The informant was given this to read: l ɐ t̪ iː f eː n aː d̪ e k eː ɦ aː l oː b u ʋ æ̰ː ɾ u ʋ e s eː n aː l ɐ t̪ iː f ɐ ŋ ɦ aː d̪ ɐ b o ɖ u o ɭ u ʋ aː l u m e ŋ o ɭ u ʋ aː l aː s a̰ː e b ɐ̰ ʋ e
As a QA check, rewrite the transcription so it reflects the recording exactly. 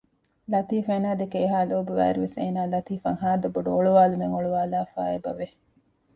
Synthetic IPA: l ɐ t̪ iː f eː n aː d̪ e k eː ɦ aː l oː b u ʋ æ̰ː ɾ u ʋ e s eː n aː l ɐ t̪ iː f ɐ ŋ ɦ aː d̪ ɐ b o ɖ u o ɭ u ʋ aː l u m e ŋ o ɭ u ʋ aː l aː f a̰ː e b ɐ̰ ʋ e